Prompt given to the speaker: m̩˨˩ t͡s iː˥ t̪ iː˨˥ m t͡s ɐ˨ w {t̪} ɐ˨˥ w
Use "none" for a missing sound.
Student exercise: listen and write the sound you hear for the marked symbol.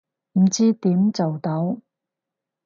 t̪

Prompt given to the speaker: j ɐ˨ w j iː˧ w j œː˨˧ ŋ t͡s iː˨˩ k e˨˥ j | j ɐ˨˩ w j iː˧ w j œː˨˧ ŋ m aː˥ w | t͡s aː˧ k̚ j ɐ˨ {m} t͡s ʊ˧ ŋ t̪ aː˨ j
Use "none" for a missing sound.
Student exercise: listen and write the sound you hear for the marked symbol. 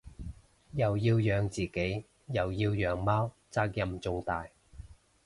m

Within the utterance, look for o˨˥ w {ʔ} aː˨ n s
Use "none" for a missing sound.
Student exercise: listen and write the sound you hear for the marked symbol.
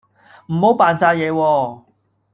p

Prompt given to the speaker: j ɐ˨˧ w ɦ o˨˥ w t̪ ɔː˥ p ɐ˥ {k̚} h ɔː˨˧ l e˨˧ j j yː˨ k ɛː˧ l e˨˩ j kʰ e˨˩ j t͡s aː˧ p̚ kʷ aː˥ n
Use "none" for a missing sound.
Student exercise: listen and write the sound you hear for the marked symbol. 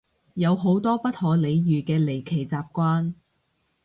t̚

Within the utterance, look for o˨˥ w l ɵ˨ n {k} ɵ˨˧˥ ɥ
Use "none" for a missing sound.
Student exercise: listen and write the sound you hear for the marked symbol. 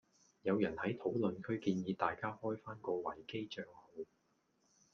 kʰ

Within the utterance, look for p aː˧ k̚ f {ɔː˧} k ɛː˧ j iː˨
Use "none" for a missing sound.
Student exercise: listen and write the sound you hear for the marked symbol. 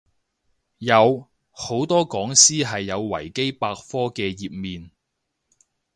ɔː˥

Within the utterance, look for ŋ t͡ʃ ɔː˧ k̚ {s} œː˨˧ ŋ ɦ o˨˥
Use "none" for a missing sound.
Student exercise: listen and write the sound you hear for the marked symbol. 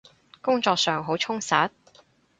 s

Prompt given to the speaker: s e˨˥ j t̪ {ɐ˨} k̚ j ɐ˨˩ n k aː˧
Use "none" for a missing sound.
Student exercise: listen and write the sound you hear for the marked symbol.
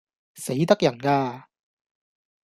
ɐ˥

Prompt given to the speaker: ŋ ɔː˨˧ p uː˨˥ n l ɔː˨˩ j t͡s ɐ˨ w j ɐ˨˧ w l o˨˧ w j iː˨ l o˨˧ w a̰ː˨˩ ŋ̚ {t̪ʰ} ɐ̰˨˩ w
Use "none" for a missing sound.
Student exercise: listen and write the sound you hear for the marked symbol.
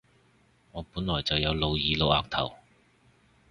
t̪ʰ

